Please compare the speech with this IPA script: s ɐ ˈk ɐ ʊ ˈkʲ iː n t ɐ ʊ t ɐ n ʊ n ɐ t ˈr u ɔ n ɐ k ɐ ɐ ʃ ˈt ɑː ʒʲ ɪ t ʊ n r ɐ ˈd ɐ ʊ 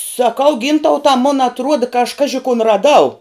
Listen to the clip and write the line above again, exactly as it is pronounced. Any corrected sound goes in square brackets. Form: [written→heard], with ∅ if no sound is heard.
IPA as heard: s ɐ ˈk ɐ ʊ [ˈkʲ→ˈɡʲ] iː n t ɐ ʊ t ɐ [n→m] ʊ n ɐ t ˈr u ɔ [n→d] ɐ k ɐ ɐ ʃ [ˈt→ˈk] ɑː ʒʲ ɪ [t→k] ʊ n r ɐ ˈd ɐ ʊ